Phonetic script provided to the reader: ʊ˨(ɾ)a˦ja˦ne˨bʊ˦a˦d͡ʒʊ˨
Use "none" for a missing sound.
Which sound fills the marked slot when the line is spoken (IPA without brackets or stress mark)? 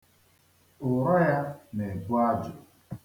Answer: ɾ